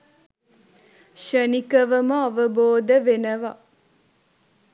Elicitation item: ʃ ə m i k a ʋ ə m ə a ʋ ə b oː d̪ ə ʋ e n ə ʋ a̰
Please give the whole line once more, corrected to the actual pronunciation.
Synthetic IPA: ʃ ə n i k ə ʋ ə m ə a ʋ ə b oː d̪ ə ʋ e n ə ʋ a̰